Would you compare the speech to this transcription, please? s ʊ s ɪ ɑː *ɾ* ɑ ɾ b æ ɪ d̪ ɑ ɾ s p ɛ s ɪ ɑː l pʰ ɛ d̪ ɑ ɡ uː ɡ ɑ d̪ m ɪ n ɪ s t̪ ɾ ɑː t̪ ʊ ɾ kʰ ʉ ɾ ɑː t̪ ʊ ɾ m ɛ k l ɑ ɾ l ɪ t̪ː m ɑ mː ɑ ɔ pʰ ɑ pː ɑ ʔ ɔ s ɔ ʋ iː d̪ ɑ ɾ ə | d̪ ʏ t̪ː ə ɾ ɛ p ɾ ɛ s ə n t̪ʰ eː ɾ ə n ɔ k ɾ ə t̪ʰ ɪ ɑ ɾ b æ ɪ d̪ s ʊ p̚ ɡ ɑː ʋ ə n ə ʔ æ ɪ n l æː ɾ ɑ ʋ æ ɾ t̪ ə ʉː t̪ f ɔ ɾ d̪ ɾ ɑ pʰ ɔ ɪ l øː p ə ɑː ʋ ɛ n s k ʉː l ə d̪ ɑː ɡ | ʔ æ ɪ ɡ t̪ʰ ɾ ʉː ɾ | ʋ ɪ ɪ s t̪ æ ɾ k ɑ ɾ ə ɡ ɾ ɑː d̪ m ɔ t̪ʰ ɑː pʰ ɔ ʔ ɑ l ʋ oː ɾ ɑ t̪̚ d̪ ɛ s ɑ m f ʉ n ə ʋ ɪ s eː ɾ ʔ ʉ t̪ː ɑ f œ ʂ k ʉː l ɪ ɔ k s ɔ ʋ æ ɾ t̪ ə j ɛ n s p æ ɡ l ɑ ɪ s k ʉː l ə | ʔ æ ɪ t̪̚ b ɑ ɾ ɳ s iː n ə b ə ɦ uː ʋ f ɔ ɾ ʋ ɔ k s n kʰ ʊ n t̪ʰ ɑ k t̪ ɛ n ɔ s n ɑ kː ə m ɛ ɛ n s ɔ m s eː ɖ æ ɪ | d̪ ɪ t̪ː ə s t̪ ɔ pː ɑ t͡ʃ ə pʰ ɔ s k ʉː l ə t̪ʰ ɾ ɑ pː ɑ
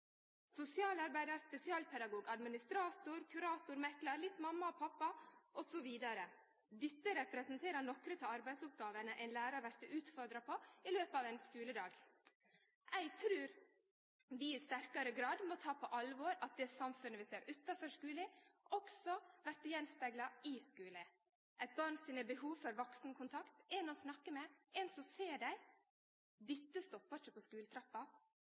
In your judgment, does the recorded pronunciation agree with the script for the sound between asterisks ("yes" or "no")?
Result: no